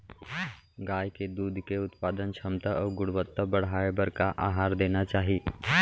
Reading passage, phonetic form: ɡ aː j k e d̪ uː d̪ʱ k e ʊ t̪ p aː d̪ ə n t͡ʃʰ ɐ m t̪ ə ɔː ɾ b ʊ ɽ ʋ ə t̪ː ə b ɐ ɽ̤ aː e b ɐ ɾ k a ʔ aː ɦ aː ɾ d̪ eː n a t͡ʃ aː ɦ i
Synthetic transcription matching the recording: ɡ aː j k e d̪ uː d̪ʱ k e ʊ t̪ p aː d̪ ə n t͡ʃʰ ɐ m t̪ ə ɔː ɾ ɡ ʊ ɽ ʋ ə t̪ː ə b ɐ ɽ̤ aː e b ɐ ɾ k a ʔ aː ɦ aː ɾ d̪ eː n a t͡ʃ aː ɦ i